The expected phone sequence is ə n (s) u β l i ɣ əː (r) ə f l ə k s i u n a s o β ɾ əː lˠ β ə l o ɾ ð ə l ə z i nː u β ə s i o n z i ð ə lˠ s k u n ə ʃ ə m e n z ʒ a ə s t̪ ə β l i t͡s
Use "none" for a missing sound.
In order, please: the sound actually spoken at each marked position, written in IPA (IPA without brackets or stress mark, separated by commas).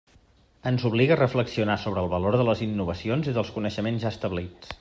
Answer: z, r